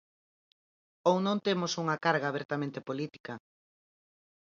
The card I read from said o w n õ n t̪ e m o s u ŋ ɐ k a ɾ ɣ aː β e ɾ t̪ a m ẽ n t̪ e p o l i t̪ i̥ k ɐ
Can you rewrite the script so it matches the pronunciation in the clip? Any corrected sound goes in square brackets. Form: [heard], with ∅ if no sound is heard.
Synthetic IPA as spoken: o w n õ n t̪ e m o s u ŋ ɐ k a ɾ ɣ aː β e ɾ t̪ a m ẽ n t̪ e p o l i t̪ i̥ k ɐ